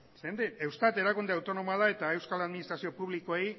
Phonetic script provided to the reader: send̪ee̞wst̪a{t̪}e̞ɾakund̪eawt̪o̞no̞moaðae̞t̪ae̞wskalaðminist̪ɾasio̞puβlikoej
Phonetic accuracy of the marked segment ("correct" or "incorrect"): correct